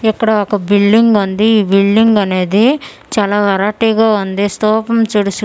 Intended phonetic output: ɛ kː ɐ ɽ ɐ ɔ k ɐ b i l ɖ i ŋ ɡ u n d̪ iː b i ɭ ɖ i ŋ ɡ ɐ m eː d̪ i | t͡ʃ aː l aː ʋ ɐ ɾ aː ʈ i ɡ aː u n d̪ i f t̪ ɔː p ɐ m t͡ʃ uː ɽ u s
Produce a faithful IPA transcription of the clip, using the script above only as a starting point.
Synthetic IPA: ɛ kː ɐ ɽ ɐ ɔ k ɐ b i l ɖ i ŋ ɡ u n d̪ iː b i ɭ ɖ i ŋ ɡ ɐ n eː d̪ i | t͡ʃ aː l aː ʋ ɐ ɾ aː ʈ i ɡ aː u n d̪ i s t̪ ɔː p ɐ m t͡ʃ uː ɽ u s